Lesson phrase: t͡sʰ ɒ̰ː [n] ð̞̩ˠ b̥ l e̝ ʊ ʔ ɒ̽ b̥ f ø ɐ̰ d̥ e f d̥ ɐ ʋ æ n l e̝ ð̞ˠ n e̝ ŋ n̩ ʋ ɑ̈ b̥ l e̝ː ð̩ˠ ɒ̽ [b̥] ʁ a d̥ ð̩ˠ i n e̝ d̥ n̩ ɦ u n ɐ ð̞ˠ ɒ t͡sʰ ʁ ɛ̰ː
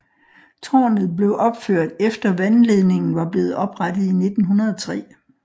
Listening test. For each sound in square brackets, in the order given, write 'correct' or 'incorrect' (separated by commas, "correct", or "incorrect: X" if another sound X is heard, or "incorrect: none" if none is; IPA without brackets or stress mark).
correct, correct